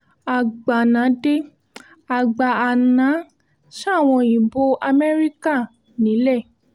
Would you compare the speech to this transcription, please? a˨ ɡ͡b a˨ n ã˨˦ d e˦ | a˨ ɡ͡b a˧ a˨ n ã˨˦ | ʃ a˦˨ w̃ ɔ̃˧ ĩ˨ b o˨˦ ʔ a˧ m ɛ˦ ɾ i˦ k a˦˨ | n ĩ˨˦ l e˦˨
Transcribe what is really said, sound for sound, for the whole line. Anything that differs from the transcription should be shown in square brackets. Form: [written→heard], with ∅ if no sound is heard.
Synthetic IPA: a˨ ɡ͡b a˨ n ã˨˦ d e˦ | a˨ ɡ͡b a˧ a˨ n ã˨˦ | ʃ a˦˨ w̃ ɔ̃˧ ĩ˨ b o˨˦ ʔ a˧ m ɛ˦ ɾ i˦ k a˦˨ | n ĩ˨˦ l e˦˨